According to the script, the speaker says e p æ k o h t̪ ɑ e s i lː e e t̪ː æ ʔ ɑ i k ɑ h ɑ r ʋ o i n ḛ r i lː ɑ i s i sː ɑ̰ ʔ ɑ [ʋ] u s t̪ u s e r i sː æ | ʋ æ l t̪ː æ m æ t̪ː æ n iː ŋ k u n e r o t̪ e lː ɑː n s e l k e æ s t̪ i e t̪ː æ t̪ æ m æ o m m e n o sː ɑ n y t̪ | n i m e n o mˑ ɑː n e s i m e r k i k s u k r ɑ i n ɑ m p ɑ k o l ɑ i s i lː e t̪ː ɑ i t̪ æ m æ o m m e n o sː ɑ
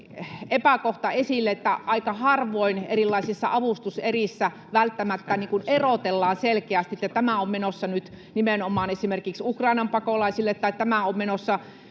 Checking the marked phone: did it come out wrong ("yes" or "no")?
no